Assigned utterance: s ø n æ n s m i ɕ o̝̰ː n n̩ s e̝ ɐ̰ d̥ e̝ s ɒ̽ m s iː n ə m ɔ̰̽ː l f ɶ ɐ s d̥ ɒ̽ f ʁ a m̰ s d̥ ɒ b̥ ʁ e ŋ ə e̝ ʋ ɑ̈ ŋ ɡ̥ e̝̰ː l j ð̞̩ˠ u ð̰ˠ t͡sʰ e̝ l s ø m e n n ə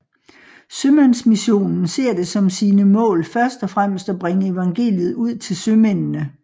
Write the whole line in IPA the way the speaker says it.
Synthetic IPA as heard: s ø m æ n s m i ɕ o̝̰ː n n̩ s e̝ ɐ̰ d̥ e̝ s ɒ̽ m s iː n ə m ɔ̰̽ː l f ɶ ɐ s d̥ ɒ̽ f ʁ a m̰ s d̥ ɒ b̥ ʁ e ŋ ə e̝ ʋ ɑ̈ ŋ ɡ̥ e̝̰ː l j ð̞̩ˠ u ð̰ˠ t͡sʰ e̝ l s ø m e n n ə